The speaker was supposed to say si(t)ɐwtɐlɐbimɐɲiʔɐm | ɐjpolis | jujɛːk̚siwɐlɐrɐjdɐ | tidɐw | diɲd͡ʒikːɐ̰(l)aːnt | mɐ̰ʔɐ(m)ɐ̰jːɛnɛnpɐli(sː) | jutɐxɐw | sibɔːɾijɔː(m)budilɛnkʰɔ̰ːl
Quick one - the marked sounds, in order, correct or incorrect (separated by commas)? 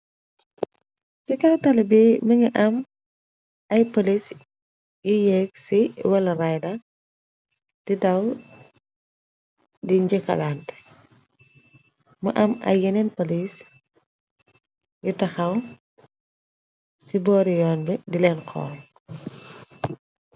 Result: incorrect, correct, correct, incorrect, incorrect